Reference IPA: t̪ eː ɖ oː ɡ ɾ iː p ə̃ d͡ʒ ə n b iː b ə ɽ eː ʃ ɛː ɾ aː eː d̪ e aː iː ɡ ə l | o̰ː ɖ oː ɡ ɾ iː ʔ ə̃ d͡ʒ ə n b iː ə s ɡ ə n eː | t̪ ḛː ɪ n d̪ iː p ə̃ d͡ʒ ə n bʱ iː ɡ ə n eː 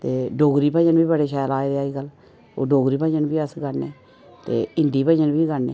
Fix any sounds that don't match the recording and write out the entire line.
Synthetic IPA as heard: t̪ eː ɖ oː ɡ ɾ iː p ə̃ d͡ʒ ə n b iː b ə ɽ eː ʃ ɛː l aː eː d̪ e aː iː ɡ ə l | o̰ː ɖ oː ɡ ɾ iː p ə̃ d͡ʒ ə n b iː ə s ɡ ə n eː | t̪ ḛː ɪ n d̪ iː p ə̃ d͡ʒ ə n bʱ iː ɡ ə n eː